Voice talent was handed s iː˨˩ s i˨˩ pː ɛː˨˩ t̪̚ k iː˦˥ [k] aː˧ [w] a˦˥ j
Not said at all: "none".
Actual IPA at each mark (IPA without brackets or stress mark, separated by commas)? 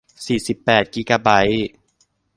k, b